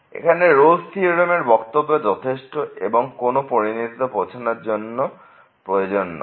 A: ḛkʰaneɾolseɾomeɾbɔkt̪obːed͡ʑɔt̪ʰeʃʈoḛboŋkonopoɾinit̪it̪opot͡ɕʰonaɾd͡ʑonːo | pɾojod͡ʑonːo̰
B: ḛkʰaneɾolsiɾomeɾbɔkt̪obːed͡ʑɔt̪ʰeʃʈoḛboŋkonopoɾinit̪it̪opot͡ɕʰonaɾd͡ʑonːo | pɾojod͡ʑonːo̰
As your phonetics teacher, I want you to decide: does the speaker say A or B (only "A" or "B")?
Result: B